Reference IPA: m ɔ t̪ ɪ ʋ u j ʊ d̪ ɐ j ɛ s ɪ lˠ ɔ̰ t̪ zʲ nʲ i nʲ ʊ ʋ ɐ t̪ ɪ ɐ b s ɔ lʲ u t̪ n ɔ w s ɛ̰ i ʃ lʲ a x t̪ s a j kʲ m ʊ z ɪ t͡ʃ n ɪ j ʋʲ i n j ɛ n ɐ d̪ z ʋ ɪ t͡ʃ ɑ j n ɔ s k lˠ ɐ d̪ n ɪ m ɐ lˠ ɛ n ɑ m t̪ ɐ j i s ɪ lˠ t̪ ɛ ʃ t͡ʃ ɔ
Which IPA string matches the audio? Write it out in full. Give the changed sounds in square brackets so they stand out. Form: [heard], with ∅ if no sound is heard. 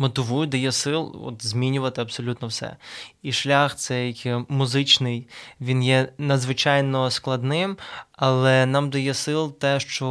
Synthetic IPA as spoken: m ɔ t̪ ɪ ʋ u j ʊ d̪ ɐ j ɛ s ɪ lˠ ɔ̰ t̪ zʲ [mʲ] i nʲ ʊ ʋ ɐ t̪ ɪ ɐ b s ɔ lʲ u t̪ n ɔ w s ɛ̰ i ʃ lʲ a x t̪ s [ɛ] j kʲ m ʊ z ɪ t͡ʃ n ɪ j ʋʲ i n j ɛ n ɐ d̪ z ʋ ɪ t͡ʃ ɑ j n ɔ s k lˠ ɐ d̪ n ɪ m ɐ lˠ ɛ n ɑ m [d̪] ɐ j [ɛ] s ɪ lˠ t̪ ɛ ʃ t͡ʃ ɔ